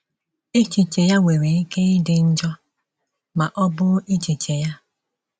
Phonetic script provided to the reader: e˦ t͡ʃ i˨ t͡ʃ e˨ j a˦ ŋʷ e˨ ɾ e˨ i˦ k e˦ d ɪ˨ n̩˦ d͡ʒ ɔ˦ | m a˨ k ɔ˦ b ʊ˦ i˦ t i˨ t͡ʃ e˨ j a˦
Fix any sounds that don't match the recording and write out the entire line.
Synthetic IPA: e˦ t͡ʃ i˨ t͡ʃ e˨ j a˦ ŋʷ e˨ ɾ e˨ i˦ k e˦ d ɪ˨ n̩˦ d͡ʒ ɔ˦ | m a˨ ʔ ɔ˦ b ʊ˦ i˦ t͡ʃ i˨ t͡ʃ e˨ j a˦

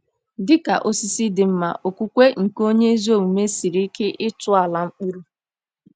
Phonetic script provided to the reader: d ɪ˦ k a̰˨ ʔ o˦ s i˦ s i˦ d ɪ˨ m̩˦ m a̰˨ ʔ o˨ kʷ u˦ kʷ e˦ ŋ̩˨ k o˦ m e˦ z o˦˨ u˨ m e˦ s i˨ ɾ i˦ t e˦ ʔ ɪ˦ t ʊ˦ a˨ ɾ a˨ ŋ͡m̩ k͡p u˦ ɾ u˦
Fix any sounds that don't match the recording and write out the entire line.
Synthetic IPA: d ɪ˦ k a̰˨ ʔ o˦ s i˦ s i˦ d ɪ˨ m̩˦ m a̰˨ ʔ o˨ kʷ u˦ kʷ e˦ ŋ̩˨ k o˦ ɲ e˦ z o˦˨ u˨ m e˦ s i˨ ɾ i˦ k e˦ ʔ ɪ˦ t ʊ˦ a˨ l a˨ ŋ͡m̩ k͡p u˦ ɾ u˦

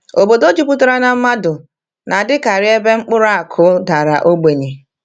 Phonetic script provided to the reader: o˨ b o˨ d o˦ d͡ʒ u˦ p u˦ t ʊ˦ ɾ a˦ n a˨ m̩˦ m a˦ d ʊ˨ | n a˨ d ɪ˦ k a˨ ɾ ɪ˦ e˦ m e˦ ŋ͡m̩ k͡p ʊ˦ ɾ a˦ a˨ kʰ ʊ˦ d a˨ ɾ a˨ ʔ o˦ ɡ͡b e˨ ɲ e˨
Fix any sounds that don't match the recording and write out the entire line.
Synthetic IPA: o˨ b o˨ d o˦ d͡ʒ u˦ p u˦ t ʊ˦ ɾ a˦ n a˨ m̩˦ m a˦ d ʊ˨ | n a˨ d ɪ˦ k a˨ ɾ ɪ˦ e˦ b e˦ ŋ͡m̩ k͡p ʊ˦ ɾ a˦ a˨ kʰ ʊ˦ d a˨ ɾ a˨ ʔ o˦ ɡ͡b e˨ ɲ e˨

